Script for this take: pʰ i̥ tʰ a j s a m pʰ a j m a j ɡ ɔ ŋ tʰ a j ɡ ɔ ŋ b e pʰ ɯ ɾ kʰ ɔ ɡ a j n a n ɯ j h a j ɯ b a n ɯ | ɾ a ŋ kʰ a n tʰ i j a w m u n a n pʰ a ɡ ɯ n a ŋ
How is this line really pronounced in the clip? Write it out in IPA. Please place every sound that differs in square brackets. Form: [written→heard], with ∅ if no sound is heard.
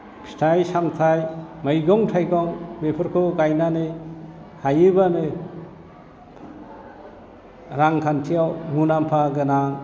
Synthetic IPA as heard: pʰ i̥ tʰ a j s a m [pʰ→tʰ] a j m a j ɡ ɔ ŋ tʰ a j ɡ ɔ ŋ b e pʰ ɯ ɾ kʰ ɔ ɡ a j n a n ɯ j h a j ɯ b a n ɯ | ɾ a ŋ kʰ a n tʰ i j a w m u n a [n→m] pʰ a ɡ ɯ n a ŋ